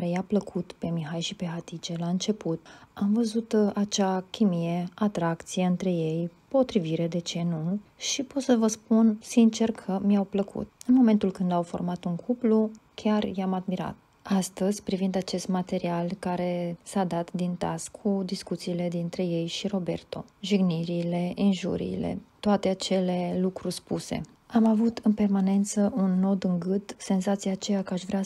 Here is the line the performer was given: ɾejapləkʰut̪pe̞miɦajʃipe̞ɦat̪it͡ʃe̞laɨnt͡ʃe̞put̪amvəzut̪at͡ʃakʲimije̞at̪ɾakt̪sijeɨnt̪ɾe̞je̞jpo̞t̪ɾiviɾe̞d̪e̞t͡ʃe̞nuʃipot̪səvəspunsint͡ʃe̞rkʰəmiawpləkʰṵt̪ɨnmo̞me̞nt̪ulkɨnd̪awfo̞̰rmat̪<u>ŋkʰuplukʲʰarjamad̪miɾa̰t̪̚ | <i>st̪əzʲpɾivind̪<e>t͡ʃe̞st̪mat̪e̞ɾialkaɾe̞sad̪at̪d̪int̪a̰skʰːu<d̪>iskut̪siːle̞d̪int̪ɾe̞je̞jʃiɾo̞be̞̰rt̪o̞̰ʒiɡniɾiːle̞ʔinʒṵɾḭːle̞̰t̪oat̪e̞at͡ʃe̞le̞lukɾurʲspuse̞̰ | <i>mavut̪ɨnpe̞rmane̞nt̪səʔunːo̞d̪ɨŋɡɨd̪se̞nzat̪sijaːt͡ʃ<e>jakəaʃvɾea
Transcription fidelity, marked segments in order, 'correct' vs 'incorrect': correct, incorrect: a, incorrect: a, correct, incorrect: a, correct

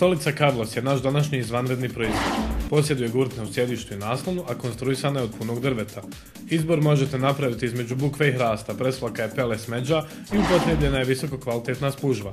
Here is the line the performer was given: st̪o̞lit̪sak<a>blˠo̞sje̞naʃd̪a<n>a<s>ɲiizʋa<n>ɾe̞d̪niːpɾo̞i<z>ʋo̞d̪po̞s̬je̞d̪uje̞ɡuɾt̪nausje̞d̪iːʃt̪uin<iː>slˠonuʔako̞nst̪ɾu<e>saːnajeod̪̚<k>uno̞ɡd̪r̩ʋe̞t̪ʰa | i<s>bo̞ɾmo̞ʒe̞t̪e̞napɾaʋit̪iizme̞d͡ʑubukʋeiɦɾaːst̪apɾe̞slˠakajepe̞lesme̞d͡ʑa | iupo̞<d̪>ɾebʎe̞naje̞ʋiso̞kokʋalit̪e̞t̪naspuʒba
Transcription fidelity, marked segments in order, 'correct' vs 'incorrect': correct, correct, incorrect: ʃ, correct, correct, incorrect: aː, incorrect: i, incorrect: p, incorrect: z, incorrect: t̪

